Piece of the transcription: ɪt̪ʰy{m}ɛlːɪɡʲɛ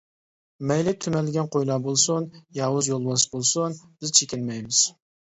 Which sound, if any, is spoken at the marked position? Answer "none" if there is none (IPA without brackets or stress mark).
m